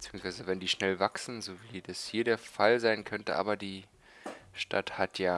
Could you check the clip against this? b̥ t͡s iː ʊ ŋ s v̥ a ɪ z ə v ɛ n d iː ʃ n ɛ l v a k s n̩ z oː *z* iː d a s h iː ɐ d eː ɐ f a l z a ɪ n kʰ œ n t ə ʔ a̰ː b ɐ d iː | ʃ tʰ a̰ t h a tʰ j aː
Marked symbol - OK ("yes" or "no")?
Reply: no